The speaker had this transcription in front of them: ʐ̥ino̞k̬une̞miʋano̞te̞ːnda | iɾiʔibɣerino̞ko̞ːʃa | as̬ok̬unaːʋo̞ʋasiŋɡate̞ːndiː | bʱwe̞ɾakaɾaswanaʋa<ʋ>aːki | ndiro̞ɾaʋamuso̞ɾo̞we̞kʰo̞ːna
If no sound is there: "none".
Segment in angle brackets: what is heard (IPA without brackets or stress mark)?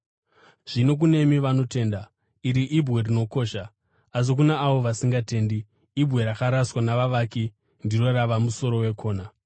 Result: ʋ